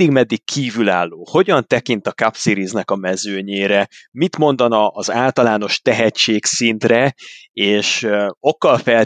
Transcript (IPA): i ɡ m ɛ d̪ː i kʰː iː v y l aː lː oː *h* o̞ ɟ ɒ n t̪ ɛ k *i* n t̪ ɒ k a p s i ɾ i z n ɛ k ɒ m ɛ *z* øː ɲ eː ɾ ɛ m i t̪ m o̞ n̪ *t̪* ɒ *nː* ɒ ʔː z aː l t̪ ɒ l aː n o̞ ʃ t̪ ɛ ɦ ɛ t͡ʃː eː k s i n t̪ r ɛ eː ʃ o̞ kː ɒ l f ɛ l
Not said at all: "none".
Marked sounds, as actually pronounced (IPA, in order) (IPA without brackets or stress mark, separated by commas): h, i, z, d̪, n